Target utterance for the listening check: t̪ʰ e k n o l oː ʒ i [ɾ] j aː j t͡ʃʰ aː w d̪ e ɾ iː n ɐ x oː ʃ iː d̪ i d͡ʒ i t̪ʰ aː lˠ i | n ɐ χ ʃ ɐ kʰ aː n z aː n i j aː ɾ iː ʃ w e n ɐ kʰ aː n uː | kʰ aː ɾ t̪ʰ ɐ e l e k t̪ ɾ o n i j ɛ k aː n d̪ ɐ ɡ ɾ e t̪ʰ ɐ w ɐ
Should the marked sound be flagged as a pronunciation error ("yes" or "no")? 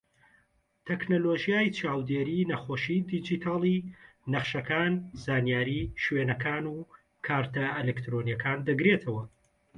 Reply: yes